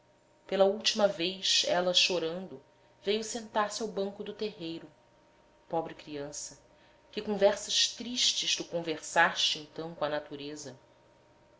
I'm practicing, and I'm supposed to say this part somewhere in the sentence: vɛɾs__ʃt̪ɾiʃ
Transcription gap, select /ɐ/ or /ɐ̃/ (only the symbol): ɐ